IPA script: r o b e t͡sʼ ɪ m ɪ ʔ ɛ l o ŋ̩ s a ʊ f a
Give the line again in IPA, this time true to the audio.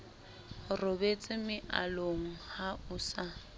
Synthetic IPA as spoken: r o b e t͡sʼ ɪ m ɪ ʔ a l o ŋ̩ h a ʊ s a